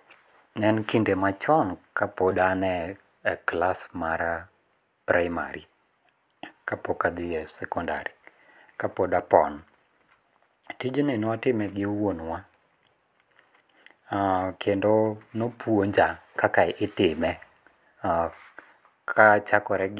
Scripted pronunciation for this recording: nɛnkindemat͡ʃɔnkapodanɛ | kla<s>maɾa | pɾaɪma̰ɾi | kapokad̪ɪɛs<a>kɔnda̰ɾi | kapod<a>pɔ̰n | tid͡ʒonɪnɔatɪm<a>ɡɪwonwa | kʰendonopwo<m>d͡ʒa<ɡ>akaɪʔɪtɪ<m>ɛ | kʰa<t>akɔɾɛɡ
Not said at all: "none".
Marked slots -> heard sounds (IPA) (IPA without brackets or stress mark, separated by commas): s, ɛ, a, ɛ, ɲ, k, m, t͡ʃ